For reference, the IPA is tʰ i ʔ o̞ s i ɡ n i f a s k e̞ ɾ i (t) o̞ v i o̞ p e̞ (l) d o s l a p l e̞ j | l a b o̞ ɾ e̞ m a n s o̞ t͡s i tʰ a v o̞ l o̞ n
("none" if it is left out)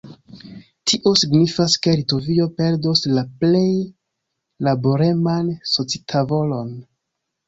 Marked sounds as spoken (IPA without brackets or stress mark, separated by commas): t, ɾ